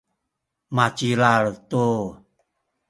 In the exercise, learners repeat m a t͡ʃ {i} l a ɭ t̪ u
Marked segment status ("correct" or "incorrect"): correct